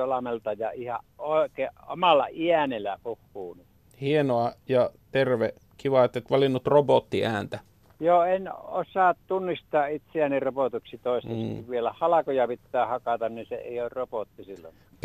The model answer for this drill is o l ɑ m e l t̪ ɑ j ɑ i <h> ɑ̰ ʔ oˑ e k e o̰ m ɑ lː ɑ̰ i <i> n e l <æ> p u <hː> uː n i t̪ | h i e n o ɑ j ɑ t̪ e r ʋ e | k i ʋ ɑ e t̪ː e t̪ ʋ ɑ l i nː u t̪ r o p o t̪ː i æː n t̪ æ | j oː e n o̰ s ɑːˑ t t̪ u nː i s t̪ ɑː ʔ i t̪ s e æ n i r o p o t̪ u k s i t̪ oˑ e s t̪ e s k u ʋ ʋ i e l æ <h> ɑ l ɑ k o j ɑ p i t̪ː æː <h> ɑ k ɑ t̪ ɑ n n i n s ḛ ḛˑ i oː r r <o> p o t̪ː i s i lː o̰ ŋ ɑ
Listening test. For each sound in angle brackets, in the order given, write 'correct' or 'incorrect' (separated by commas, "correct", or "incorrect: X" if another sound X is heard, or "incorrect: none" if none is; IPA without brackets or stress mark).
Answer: correct, incorrect: æ, correct, correct, correct, correct, correct